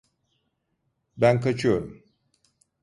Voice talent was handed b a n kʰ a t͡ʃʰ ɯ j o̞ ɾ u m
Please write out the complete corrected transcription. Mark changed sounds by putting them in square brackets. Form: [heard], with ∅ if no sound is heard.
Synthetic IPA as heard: b [æ] n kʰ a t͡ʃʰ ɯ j o̞ ɾ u m